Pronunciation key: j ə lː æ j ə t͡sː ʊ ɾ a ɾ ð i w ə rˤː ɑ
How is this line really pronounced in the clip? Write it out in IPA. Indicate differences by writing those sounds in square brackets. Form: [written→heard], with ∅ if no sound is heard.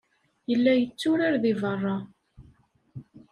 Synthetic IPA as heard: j ə lː æ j ə t͡sː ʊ ɾ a ɾ ð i [w→v] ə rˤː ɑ